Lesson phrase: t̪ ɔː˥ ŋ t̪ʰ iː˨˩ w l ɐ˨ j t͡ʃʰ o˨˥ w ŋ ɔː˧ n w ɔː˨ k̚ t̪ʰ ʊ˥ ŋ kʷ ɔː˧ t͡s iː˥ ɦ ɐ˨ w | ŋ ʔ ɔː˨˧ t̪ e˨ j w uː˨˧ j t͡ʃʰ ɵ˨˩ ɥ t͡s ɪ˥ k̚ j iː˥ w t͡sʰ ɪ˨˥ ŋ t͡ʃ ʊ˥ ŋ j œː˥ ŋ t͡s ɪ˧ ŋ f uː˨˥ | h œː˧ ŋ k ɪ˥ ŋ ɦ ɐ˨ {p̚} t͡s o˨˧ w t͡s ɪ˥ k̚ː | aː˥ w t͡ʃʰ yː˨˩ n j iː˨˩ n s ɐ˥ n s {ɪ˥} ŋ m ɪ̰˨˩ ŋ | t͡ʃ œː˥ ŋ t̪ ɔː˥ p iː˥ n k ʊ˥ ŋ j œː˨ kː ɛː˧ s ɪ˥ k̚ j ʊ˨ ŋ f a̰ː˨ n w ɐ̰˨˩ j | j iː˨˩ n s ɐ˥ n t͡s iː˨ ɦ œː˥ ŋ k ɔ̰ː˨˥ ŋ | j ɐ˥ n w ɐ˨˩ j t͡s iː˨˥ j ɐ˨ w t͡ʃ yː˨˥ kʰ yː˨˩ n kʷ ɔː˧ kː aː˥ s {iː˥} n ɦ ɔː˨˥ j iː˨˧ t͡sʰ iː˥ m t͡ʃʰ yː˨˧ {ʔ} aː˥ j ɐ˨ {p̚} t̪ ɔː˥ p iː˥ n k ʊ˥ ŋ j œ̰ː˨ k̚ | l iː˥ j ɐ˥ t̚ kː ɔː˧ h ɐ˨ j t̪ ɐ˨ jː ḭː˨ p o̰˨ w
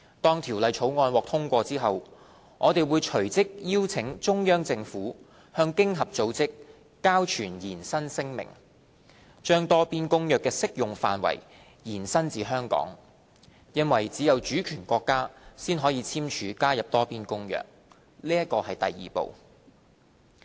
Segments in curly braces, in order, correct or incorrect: correct, correct, correct, incorrect: k, correct

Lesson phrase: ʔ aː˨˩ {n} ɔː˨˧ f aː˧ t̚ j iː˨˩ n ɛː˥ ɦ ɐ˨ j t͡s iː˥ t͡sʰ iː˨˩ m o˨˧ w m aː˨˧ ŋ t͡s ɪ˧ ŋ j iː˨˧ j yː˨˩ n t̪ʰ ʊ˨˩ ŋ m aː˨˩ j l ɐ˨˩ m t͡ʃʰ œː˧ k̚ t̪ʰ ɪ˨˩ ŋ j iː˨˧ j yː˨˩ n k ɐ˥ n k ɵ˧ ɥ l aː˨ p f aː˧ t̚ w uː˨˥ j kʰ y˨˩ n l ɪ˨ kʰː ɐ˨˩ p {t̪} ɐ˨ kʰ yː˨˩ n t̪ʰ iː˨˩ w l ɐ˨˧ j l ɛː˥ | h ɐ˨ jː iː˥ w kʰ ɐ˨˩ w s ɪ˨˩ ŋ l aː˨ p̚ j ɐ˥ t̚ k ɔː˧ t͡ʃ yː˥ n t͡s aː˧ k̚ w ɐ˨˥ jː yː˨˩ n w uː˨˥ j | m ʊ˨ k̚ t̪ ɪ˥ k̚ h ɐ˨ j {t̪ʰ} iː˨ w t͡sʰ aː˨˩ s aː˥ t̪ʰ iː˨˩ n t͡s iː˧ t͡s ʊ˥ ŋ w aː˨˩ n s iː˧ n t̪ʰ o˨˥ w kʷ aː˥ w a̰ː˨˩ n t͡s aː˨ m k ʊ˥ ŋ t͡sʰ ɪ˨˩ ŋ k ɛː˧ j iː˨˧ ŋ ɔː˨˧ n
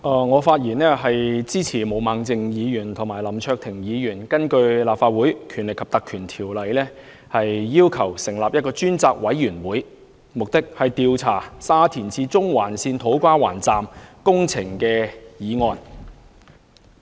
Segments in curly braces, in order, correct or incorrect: incorrect: ŋ, correct, incorrect: t̪

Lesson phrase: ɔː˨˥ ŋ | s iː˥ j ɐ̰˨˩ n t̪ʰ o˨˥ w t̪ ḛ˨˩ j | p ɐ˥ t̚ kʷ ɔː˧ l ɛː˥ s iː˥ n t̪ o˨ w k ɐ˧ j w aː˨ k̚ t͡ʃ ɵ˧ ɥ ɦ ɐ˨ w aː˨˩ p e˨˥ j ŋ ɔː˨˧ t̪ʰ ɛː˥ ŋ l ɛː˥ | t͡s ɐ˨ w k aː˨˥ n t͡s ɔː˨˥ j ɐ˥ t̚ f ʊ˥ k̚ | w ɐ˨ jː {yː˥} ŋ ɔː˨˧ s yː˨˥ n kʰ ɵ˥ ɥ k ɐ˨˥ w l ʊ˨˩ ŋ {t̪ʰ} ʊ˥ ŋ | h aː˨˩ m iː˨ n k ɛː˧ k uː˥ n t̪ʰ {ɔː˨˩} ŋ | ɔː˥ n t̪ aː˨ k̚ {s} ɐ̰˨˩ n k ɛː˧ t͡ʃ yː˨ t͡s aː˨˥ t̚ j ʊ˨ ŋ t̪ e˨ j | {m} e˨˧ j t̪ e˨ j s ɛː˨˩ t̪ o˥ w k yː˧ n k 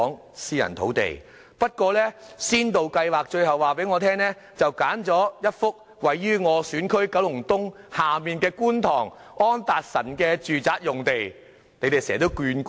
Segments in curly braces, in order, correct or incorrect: correct, incorrect: t̪, correct, correct, incorrect: n

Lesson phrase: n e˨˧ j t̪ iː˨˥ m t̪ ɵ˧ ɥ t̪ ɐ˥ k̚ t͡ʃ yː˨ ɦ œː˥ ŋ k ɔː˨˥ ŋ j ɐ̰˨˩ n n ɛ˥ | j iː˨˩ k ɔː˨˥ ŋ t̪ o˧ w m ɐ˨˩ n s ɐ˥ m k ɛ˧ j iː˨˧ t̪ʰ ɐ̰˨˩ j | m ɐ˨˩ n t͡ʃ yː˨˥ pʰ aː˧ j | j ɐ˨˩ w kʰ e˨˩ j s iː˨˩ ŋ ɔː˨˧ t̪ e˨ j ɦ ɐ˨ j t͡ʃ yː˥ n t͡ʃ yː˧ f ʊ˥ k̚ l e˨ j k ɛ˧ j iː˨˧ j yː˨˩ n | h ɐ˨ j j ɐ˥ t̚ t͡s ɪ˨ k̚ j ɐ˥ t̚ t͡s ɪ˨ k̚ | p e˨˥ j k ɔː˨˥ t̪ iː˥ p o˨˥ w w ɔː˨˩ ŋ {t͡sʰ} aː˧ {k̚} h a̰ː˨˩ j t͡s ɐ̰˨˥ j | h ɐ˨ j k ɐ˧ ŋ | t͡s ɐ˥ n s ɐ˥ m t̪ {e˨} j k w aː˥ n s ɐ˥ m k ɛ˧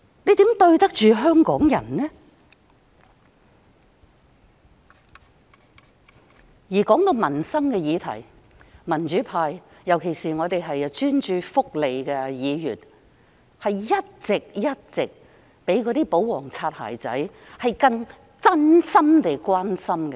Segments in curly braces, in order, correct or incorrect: correct, incorrect: t̚, correct

